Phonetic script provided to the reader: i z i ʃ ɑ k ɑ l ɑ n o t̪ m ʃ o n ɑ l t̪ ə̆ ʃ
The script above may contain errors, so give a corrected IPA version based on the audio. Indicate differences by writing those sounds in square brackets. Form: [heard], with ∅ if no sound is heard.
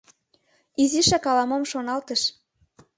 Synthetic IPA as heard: i z i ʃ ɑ k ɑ l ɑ [m] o [∅] m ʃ o n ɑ l t̪ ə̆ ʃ